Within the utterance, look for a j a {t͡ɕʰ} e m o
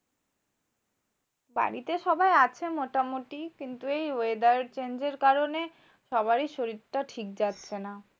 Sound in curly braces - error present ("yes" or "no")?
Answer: no